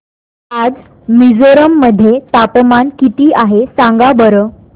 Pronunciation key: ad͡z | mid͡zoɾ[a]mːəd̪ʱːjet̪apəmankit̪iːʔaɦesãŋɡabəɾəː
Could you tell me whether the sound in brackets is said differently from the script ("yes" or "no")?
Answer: yes